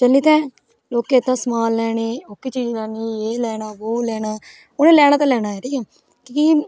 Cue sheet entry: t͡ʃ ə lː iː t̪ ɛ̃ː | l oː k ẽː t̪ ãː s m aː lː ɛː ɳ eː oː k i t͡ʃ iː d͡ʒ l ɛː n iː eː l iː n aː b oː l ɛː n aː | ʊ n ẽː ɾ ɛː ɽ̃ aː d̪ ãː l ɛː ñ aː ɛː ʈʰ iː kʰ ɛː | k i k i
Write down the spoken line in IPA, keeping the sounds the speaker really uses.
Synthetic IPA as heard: t͡ʃ ə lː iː t̪ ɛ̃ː | l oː k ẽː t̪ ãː s m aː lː ɛː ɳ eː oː k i t͡ʃ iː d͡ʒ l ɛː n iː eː l ɛː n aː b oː l ɛː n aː | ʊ n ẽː l ɛː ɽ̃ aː t̪ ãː l ɛː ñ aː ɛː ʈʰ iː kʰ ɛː | k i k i